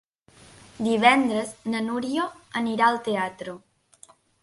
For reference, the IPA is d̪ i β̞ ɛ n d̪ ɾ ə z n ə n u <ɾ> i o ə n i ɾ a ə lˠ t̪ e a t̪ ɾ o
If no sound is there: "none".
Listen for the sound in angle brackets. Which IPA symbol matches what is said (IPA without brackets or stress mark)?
ɾ